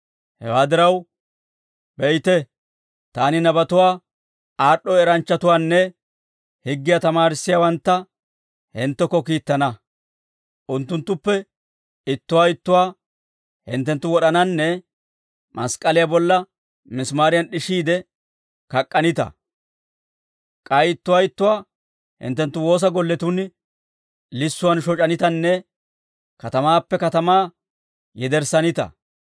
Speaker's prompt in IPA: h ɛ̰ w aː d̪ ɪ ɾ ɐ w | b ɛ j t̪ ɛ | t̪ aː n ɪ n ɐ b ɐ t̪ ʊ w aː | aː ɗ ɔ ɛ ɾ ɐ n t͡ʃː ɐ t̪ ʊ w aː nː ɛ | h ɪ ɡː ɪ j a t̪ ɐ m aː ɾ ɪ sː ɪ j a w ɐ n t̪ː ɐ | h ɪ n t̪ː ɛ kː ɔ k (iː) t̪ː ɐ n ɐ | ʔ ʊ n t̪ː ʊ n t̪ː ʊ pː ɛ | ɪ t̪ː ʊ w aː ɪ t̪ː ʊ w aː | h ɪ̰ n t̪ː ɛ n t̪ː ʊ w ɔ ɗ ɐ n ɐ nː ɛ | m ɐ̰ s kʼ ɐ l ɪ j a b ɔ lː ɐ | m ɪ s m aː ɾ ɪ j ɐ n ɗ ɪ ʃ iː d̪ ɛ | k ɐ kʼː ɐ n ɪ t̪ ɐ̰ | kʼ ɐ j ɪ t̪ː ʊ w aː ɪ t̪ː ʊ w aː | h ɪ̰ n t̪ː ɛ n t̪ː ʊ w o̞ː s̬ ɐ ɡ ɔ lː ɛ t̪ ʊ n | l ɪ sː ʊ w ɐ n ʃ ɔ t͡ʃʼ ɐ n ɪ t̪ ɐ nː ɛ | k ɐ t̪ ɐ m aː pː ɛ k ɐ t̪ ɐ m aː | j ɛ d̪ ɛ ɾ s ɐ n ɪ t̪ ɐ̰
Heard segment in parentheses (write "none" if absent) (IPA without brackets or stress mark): iː